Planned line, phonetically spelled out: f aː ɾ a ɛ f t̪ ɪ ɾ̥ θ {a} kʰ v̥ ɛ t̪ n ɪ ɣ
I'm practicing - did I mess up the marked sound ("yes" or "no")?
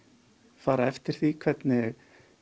yes